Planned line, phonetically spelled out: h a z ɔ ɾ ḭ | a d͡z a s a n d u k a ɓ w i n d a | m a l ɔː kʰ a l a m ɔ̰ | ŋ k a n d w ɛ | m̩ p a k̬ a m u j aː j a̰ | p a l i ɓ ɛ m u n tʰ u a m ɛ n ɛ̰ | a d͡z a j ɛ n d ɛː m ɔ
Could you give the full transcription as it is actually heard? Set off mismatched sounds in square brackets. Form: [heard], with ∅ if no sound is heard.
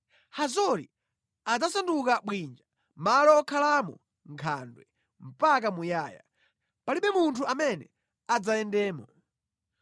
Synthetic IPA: h a z ɔ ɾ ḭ | a d͡z a s a n d u k a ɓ w i n [d͡ʒ] a | m a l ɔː kʰ a l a m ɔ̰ | ŋ [kʰ] a n d w ɛ | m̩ p a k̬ a m u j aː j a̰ | p a l i ɓ ɛ m u n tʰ u a m ɛ n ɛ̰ | a d͡z a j ɛ n d ɛː m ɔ